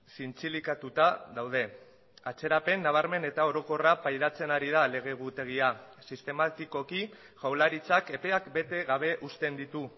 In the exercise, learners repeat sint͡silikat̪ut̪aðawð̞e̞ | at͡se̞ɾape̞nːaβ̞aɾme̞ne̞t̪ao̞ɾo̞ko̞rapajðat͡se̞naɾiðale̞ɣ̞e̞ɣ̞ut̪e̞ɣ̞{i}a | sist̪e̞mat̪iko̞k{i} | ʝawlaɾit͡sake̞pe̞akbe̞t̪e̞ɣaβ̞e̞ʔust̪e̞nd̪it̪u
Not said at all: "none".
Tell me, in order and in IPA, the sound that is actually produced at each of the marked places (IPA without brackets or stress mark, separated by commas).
i, i